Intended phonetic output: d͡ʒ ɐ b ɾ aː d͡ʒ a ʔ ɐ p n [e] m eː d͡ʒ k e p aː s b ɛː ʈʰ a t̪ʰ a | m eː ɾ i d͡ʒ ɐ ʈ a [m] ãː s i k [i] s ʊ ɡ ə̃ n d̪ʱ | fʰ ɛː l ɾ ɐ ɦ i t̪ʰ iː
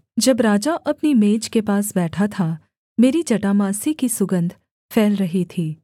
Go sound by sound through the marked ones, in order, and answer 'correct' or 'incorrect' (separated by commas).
incorrect, correct, correct